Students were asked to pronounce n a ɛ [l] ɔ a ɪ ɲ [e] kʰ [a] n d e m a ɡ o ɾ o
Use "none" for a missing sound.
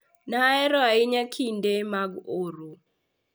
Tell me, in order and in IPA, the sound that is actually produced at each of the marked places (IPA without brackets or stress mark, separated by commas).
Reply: ɾ, a, i